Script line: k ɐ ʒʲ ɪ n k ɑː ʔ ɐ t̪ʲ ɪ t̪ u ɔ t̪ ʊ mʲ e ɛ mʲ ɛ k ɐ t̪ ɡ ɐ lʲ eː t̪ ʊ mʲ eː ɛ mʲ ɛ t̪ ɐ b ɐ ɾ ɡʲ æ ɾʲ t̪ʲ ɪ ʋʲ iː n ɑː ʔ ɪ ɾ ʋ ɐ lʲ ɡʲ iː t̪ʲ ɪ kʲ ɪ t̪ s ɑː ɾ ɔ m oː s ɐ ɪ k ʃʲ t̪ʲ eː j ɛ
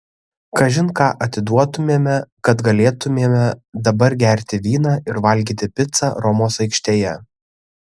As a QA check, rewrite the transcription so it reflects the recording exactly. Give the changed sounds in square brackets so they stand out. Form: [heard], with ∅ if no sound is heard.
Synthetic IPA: k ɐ ʒʲ ɪ n k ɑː ʔ ɐ t̪ʲ ɪ [d̪] u ɔ t̪ ʊ mʲ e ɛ mʲ ɛ k ɐ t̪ ɡ ɐ lʲ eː t̪ ʊ mʲ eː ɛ mʲ ɛ [d̪] ɐ b ɐ ɾ ɡʲ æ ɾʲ t̪ʲ ɪ ʋʲ iː n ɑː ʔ ɪ ɾ ʋ ɐ lʲ ɡʲ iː t̪ʲ ɪ [pʲ] ɪ t̪ s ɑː ɾ ɔ m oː s ɐ ɪ k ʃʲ t̪ʲ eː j ɛ

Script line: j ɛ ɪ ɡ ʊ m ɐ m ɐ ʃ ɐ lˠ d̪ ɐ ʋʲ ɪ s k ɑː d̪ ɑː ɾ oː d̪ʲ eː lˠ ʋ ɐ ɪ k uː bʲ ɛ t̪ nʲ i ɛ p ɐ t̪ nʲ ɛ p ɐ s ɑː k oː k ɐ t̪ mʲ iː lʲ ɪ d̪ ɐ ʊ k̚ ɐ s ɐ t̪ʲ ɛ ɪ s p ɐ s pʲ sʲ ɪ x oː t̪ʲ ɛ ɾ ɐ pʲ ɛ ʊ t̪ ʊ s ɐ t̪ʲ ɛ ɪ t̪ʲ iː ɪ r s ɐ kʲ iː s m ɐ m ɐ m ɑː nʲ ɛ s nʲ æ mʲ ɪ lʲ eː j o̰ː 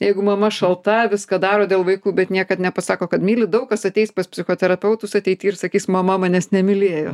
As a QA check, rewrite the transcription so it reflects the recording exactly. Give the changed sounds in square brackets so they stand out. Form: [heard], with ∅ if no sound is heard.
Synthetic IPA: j ɛ ɪ ɡ ʊ m ɐ m ɐ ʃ ɐ lˠ [t̪] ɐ ʋʲ ɪ s k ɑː d̪ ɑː ɾ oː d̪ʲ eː lˠ ʋ ɐ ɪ k uː bʲ ɛ t̪ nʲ i ɛ [k] ɐ t̪ nʲ ɛ p ɐ s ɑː k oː k ɐ t̪ mʲ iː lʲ ɪ d̪ ɐ ʊ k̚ ɐ s ɐ t̪ʲ ɛ ɪ s p ɐ s pʲ sʲ ɪ x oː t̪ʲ ɛ ɾ ɐ pʲ ɛ ʊ t̪ ʊ s ɐ t̪ʲ ɛ ɪ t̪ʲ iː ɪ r s ɐ kʲ iː s m ɐ m ɐ m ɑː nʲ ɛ s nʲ [ɛ] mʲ ɪ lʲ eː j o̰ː

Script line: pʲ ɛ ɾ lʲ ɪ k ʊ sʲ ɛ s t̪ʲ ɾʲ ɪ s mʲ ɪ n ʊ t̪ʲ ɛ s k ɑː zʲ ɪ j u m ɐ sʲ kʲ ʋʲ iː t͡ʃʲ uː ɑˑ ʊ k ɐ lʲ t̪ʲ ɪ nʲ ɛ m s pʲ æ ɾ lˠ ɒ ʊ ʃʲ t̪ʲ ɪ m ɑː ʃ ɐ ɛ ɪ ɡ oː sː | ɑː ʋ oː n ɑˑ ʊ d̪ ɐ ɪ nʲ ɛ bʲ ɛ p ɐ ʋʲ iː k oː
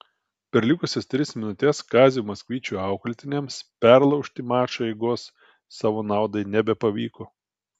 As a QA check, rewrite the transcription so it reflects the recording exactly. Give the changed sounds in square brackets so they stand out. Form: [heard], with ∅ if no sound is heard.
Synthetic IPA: pʲ ɛ ɾ lʲ ɪ k ʊ sʲ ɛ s t̪ʲ ɾʲ ɪ s mʲ ɪ n ʊ t̪ʲ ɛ s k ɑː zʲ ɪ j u m ɐ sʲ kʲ ʋʲ iː t͡ʃʲ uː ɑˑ ʊ k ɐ lʲ t̪ʲ ɪ nʲ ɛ m s pʲ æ ɾ lˠ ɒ ʊ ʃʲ t̪ʲ ɪ m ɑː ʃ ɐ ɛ ɪ ɡ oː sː | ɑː ʋ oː n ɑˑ ʊ d̪ ɐ ɪ nʲ ɛ bʲ ɛ p ɐ ʋʲ iː k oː

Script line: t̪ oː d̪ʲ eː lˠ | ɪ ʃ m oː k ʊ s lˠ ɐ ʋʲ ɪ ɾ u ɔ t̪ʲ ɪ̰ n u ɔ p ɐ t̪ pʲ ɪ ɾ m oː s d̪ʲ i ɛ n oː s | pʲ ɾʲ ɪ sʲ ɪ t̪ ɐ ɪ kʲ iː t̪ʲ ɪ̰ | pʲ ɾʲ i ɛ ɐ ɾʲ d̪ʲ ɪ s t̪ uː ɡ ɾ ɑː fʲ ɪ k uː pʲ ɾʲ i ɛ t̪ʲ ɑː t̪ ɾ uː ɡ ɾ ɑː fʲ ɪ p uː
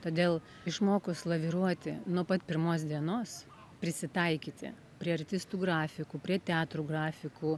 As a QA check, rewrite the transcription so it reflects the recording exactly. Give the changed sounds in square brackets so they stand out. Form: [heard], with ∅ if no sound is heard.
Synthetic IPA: t̪ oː d̪ʲ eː lˠ | ɪ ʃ m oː k ʊ s lˠ ɐ ʋʲ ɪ ɾ u ɔ t̪ʲ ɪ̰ n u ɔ p ɐ t̪ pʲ ɪ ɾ m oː s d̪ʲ i ɛ n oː s | pʲ ɾʲ ɪ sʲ ɪ t̪ ɐ ɪ kʲ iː t̪ʲ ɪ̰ | pʲ ɾʲ i ɛ ɐ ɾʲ [t̪ʲ] ɪ s t̪ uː ɡ ɾ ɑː fʲ ɪ k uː pʲ ɾʲ i ɛ t̪ʲ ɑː t̪ ɾ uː ɡ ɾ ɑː fʲ ɪ [k] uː

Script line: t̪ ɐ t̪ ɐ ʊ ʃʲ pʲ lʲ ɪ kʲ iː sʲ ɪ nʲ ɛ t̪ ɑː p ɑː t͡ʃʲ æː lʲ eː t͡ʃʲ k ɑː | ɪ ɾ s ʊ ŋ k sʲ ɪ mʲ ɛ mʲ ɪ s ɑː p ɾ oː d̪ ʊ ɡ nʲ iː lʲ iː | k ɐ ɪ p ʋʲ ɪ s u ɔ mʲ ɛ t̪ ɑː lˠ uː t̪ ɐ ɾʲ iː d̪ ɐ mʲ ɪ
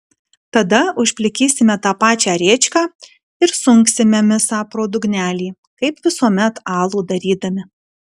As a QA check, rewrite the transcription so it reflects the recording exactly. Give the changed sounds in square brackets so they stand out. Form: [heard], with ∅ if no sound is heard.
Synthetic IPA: t̪ ɐ [d̪] ɐ ʊ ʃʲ pʲ lʲ ɪ kʲ iː sʲ ɪ [mʲ] ɛ t̪ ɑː p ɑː t͡ʃʲ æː [ɾʲ] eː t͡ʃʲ k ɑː | ɪ ɾ s ʊ ŋ k sʲ ɪ mʲ ɛ mʲ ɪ s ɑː p ɾ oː d̪ ʊ ɡ nʲ [æː] lʲ iː | k ɐ ɪ p ʋʲ ɪ s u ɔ mʲ ɛ t̪ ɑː lˠ uː [d̪] ɐ ɾʲ iː d̪ ɐ mʲ ɪ

